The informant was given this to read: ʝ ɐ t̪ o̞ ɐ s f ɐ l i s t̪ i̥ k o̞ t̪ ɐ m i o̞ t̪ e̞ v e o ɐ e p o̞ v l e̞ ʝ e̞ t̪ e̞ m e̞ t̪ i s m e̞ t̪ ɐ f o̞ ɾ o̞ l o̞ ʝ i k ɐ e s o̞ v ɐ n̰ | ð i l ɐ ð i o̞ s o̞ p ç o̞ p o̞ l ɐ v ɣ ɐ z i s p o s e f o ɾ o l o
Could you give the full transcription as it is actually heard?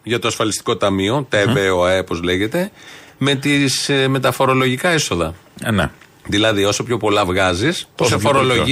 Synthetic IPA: ʝ ɐ t̪ o̞ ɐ s f ɐ l i s t̪ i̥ k o̞ t̪ ɐ m i o̞ t̪ e̞ v e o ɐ e p o̞ z l e̞ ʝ e̞ t̪ e̞ m e̞ t̪ i s m e̞ t̪ ɐ f o̞ ɾ o̞ l o̞ ʝ i k ɐ e s o̞ ð ɐ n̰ | ð i l ɐ ð i o̞ s o̞ p ç o̞ p o̞ l ɐ v ɣ ɐ z i s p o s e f o ɾ o l o